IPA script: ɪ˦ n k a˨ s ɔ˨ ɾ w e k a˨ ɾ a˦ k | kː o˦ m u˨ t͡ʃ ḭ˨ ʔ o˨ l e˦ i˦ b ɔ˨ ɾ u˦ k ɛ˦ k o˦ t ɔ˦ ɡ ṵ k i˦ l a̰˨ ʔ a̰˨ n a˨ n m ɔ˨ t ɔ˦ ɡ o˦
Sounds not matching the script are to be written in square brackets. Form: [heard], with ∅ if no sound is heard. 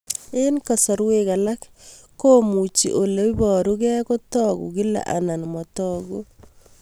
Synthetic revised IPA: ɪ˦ n k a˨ s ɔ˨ ɾ w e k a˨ [l] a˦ k | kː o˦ m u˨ t͡ʃ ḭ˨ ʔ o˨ l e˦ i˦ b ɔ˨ ɾ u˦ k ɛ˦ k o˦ t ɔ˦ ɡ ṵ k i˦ l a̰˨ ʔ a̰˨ n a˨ n m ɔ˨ t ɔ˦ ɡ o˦